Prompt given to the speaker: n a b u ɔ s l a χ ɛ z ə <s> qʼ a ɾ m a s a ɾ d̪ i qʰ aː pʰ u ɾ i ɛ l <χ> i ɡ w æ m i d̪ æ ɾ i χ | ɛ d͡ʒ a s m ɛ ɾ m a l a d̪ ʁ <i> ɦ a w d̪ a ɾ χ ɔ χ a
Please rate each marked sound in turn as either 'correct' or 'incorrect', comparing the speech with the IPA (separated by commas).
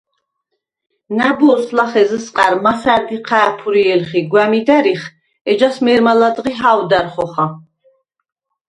correct, correct, correct